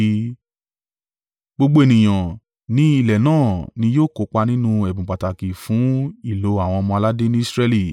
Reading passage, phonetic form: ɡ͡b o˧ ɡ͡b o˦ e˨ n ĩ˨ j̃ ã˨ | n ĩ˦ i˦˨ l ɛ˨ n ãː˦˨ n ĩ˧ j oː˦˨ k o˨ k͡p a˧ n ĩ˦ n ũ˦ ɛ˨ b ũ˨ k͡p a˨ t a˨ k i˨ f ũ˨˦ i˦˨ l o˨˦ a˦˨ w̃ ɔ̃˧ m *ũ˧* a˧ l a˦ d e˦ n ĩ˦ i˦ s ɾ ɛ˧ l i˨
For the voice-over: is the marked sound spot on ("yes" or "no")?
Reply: no